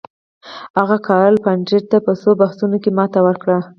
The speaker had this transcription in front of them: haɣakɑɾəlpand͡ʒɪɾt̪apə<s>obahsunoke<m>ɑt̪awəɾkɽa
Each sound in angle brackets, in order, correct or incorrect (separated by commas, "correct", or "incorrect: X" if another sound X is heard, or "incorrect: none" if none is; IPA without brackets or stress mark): correct, correct